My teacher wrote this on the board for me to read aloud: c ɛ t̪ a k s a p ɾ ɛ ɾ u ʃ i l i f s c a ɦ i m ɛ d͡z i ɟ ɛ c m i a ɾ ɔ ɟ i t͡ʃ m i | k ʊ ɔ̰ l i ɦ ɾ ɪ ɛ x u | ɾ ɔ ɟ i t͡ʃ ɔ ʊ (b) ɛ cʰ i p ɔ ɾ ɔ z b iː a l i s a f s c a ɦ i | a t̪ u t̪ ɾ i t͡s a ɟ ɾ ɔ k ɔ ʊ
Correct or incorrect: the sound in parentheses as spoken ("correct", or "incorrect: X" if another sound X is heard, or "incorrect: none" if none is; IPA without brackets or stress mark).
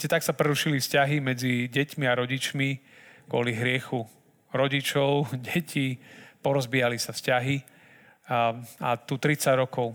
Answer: incorrect: ɟ